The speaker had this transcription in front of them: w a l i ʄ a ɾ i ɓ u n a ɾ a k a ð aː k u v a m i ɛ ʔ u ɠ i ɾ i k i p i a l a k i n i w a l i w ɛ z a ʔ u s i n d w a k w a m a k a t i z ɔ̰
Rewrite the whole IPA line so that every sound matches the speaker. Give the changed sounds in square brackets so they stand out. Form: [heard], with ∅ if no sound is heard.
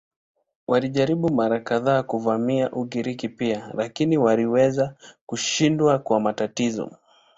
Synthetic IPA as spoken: w a l i ʄ a ɾ i ɓ u [m] a ɾ a k a ð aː k u v a m i [a] ʔ u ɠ i ɾ i k i p i a l a k i n i w a l i w ɛ z a [k] u [ʃ] i n d w a k w a m a [t] a t i z ɔ̰